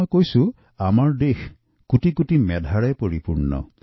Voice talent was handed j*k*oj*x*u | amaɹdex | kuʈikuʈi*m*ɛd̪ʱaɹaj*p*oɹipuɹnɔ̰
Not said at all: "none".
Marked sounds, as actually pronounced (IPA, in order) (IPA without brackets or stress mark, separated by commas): k, s, m, p